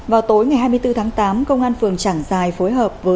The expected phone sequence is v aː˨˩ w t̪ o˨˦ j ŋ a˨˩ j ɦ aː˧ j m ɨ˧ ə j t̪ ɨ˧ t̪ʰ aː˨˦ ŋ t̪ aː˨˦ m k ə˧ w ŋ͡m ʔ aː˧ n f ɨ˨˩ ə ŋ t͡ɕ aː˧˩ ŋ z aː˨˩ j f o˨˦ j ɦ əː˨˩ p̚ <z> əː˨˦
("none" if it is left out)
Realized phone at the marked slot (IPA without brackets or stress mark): v